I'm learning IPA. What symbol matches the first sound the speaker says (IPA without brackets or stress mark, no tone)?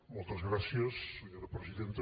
m